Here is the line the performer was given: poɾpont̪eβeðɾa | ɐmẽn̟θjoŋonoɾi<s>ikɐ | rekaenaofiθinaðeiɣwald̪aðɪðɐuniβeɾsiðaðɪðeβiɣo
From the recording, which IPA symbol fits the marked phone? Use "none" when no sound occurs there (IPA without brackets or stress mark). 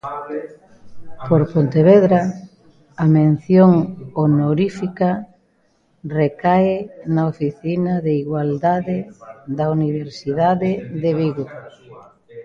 f